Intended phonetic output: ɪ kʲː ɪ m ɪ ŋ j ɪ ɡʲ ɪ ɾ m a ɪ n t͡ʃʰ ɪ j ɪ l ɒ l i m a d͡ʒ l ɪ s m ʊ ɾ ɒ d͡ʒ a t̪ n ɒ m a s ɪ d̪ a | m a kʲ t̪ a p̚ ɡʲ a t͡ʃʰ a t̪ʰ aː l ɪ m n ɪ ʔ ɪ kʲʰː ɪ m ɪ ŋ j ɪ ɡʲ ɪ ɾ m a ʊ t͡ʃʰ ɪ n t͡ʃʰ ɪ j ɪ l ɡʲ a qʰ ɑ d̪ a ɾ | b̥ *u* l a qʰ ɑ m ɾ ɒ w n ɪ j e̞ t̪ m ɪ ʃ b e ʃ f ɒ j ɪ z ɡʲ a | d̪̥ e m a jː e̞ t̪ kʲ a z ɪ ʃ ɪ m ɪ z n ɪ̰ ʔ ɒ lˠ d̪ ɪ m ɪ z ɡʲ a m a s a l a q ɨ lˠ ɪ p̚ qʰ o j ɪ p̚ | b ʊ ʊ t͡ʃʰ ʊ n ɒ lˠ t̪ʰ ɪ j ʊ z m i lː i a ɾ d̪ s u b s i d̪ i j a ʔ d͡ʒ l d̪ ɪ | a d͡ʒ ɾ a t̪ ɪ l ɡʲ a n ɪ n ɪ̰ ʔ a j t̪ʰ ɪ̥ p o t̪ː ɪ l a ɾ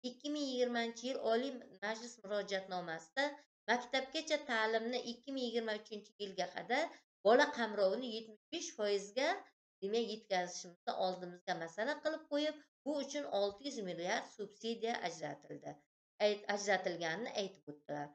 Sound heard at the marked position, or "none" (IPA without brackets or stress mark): ɒ